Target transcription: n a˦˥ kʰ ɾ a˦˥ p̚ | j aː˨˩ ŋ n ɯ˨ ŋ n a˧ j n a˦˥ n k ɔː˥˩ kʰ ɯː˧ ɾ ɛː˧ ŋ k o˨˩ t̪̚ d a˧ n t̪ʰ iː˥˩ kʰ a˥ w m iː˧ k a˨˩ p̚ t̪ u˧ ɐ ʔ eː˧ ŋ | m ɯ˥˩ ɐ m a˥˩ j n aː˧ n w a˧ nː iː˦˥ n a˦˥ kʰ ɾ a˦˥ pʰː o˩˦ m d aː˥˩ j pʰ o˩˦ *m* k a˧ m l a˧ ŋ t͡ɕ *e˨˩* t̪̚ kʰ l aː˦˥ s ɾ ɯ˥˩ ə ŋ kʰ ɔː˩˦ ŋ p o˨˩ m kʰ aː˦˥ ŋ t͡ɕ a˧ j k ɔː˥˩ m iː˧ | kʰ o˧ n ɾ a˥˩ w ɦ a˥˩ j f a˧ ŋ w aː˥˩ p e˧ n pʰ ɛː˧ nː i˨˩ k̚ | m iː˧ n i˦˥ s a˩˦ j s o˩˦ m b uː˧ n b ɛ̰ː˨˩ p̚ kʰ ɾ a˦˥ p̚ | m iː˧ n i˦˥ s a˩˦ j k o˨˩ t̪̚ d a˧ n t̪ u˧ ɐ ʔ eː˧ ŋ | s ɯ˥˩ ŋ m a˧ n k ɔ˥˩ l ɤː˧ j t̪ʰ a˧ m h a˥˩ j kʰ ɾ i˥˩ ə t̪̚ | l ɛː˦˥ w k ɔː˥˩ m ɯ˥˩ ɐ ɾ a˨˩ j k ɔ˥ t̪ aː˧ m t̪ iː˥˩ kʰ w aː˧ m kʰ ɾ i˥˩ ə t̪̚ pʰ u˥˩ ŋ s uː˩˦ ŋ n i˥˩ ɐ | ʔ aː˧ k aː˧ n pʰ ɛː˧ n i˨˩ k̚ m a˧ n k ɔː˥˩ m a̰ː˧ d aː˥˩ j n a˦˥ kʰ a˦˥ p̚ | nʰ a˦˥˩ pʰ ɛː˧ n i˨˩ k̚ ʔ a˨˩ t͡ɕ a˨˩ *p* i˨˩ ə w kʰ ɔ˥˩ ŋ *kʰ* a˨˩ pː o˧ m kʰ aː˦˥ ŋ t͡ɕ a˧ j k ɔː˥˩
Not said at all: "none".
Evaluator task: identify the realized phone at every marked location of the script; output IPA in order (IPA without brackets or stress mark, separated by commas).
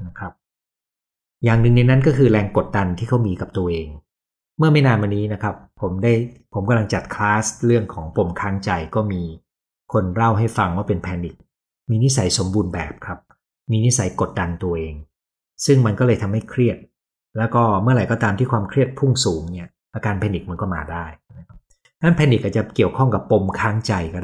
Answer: m, a˨˩, k, k